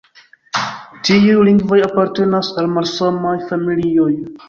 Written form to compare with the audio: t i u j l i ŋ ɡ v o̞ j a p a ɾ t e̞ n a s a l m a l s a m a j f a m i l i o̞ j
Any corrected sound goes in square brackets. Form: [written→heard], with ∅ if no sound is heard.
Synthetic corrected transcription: t i u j l i ŋ ɡ v o̞ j a p a ɾ t e̞ n a s a l m a l s a m a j f a m i l i o̞ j